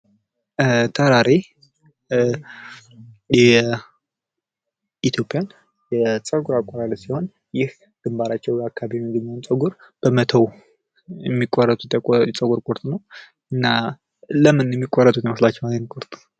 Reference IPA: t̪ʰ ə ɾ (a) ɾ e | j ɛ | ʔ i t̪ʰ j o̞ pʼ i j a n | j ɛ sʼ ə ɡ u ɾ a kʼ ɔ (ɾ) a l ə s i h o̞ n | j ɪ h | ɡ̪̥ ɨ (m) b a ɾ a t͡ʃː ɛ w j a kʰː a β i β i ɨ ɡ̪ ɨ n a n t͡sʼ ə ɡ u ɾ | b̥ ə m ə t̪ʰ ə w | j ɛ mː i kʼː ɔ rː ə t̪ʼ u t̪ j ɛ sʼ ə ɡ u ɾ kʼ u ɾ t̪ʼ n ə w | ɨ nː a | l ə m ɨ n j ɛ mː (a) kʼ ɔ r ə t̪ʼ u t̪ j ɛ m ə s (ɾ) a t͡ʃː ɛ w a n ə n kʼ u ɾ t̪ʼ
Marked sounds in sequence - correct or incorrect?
correct, correct, correct, incorrect: i, incorrect: l

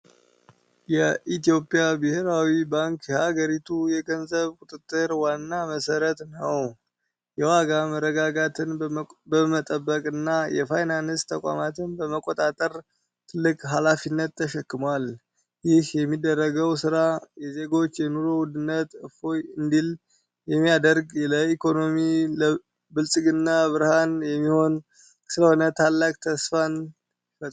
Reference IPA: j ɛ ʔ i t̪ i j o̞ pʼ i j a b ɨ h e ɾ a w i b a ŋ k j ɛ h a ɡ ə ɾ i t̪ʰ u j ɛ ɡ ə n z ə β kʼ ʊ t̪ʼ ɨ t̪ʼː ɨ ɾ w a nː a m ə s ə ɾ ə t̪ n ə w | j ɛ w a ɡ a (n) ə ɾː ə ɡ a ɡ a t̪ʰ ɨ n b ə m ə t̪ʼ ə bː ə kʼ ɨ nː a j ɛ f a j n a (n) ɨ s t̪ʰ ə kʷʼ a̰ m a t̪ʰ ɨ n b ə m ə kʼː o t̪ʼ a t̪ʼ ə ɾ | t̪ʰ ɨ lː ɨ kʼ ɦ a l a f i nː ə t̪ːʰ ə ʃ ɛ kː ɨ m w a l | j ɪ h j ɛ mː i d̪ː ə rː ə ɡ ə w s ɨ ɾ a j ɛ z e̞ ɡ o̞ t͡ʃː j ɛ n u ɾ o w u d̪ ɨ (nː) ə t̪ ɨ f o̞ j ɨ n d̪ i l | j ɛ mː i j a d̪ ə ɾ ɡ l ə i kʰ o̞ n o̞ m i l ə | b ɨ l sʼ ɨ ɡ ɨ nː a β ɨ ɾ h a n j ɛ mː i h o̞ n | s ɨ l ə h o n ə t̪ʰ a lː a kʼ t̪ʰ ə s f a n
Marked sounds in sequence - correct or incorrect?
incorrect: m, correct, correct

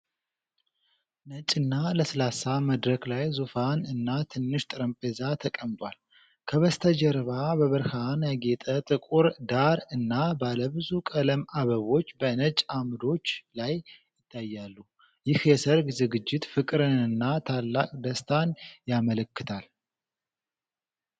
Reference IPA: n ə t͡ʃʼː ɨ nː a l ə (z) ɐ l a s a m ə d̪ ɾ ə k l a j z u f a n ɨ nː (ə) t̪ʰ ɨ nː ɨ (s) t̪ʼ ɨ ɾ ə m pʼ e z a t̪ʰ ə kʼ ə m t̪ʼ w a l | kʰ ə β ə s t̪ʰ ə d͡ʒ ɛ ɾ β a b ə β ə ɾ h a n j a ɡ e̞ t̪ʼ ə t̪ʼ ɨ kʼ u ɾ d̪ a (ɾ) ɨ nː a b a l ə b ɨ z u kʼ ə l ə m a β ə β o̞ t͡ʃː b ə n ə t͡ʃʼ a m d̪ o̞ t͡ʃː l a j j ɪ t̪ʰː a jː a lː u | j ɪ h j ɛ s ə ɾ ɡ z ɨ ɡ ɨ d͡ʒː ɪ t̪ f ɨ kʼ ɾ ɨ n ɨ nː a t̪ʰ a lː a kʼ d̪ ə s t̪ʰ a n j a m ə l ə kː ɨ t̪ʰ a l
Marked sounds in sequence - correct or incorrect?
incorrect: s, incorrect: a, incorrect: ʃ, correct

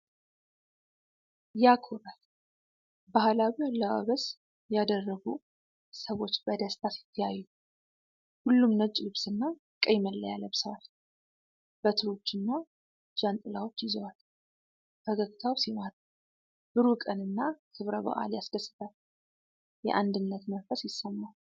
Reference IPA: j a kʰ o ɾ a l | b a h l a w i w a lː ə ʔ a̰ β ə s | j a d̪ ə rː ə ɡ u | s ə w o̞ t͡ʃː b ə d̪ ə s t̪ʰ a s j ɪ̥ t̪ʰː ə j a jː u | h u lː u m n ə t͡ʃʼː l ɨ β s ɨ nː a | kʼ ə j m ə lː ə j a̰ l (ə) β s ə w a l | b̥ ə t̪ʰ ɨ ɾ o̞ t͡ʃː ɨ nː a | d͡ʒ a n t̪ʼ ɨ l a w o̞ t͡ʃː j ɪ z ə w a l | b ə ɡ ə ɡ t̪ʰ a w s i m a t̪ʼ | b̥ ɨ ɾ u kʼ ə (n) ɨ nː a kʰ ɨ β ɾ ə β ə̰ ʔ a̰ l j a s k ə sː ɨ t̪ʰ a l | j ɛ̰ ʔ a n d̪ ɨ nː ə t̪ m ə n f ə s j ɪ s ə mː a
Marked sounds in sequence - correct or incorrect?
correct, correct

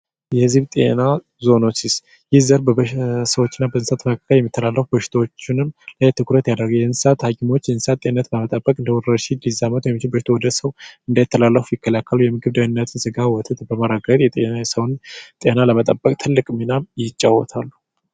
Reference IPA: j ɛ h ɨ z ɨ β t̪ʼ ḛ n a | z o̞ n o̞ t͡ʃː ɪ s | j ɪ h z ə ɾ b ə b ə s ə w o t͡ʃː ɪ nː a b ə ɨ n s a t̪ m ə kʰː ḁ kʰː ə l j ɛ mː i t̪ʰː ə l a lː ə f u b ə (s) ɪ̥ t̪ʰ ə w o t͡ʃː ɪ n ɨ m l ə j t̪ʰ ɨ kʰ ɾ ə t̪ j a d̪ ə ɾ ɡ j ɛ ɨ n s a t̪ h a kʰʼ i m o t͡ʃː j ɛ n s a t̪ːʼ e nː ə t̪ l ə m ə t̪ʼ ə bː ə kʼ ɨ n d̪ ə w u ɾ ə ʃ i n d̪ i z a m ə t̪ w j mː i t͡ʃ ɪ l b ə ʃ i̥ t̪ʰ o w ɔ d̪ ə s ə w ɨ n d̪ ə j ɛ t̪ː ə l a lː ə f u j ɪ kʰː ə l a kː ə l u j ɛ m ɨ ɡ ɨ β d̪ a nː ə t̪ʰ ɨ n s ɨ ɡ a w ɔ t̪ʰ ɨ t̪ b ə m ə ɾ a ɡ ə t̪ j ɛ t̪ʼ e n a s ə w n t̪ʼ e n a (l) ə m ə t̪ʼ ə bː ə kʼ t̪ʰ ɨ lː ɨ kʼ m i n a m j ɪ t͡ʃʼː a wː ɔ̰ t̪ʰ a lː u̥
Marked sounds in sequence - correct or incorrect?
incorrect: ʃ, correct

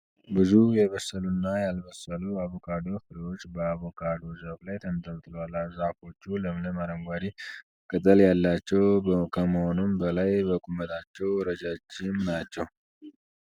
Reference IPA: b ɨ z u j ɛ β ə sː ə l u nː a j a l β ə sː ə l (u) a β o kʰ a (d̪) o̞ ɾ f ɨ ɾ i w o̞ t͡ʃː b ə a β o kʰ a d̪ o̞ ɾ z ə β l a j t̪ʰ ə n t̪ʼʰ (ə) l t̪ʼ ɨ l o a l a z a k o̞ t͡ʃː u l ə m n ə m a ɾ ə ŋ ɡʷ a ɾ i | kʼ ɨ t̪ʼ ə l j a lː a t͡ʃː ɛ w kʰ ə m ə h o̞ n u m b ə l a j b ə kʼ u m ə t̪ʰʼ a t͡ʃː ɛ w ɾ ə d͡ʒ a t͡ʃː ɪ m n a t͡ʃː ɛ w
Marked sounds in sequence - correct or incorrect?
correct, correct, correct

